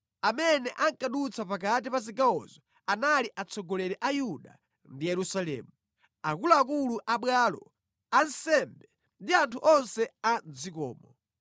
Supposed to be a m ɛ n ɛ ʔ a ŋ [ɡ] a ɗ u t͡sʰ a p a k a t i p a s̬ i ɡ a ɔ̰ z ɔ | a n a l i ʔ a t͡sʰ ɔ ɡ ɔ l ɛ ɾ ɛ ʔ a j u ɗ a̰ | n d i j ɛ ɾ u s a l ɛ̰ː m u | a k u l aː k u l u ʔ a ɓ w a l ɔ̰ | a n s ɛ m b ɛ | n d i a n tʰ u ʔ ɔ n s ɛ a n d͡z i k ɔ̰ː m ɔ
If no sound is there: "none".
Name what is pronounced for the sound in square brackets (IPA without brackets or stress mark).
k